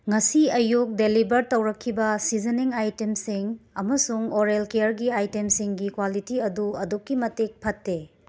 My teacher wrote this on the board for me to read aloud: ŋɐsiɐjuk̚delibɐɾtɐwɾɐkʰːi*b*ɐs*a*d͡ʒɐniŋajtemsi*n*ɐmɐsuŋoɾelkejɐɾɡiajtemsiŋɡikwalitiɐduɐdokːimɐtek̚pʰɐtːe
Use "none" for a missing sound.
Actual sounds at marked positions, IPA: b, i, ŋ

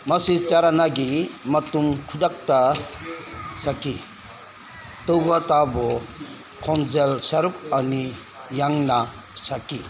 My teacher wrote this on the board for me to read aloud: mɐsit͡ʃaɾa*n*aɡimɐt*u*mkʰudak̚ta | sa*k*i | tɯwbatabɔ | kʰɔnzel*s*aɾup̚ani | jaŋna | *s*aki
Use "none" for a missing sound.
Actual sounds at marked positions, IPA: n, u, k, s, s

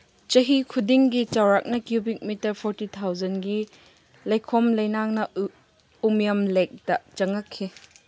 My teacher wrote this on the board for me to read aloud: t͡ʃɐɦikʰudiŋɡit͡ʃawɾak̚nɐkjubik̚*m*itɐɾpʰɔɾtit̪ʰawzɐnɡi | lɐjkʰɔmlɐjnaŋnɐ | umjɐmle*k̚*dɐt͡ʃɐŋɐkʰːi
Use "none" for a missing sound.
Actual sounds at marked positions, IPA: m, k̚

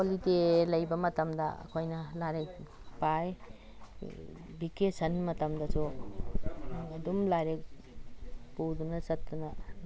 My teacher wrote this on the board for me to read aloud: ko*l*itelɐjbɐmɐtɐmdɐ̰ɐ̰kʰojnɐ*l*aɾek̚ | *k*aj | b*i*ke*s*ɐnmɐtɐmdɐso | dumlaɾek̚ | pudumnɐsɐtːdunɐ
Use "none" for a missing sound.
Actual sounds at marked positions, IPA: l, l, p, i, s

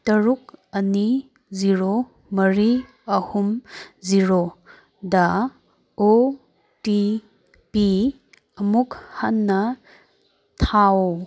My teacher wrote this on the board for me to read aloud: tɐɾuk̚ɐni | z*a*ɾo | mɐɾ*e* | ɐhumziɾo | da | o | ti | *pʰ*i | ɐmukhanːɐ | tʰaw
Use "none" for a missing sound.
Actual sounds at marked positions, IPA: i, i, p

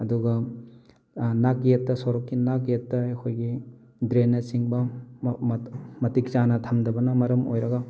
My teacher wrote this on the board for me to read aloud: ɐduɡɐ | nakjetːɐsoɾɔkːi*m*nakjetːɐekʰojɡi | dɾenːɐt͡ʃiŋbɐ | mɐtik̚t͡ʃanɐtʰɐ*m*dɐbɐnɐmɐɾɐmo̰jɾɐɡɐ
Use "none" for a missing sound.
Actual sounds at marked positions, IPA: none, m

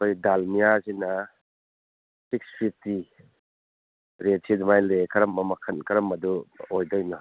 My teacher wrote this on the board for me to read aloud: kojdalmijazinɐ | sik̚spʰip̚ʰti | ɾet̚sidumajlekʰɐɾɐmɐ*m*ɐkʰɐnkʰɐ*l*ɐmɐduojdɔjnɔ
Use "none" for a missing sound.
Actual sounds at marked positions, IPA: m, ɾ

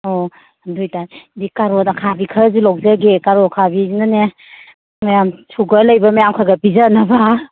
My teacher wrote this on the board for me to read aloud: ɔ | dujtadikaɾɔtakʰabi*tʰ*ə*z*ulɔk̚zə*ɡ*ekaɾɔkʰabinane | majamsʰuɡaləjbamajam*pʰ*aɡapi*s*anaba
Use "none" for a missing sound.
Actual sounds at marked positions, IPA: kʰ, z, ɡ, kʰ, z

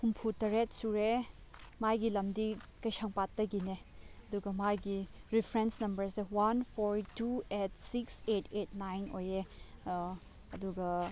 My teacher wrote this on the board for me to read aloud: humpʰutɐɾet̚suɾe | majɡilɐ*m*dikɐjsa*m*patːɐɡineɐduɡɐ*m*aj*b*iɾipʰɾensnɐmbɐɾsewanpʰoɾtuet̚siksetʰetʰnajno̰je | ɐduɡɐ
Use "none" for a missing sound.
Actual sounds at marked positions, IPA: m, ŋ, m, ɡ

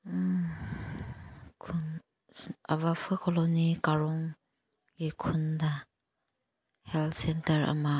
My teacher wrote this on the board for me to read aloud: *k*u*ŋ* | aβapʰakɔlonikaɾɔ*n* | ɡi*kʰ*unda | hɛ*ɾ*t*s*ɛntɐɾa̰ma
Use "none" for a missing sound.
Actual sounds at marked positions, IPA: kʰ, n, ŋ, kʰ, l, s

